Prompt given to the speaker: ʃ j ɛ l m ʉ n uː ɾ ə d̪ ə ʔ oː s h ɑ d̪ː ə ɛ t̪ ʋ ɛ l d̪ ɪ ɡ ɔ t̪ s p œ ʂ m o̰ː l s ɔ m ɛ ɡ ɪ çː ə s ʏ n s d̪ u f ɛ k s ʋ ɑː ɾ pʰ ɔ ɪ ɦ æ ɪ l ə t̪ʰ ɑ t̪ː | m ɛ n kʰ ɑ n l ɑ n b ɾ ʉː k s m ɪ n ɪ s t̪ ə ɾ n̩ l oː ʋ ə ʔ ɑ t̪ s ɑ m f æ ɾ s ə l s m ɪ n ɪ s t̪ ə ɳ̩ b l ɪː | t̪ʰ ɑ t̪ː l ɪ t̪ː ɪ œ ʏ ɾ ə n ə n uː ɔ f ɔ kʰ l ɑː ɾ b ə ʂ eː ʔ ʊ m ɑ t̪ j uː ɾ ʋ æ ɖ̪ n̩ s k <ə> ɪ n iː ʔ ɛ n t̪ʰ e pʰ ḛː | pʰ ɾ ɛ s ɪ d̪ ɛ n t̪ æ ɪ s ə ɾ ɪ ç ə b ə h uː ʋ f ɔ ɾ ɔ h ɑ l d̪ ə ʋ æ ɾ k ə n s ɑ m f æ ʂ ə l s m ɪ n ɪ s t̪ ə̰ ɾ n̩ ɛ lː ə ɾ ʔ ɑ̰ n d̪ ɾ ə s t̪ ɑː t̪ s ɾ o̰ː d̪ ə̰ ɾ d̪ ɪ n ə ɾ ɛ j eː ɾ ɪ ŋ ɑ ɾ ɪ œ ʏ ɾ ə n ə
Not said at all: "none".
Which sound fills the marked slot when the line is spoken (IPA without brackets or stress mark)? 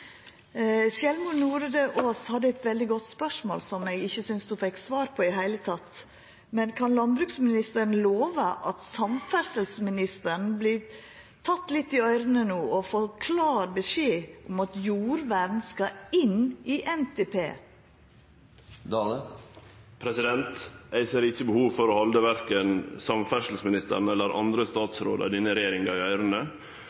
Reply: ɑ